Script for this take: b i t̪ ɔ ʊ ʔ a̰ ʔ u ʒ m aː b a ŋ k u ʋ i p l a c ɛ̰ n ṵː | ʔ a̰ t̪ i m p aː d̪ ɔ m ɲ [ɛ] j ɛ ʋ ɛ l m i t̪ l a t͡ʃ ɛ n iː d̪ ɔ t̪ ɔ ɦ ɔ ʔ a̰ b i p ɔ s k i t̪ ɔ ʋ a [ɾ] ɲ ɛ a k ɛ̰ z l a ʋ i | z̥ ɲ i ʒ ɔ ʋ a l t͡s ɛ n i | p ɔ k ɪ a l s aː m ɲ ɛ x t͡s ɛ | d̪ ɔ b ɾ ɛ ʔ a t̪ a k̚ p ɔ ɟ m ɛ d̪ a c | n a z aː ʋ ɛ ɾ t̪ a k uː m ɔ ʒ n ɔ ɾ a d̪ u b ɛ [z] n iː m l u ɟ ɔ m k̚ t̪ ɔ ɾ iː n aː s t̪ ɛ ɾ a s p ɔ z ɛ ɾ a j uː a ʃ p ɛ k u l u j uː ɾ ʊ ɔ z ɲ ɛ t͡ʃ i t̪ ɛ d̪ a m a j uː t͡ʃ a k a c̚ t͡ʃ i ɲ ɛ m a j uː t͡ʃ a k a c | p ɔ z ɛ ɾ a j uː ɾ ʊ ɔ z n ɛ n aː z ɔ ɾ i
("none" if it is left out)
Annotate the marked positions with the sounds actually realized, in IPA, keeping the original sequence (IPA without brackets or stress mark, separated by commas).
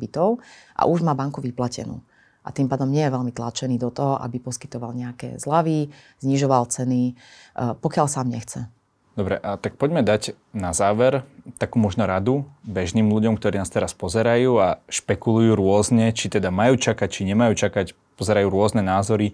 ɛ, l, ʒ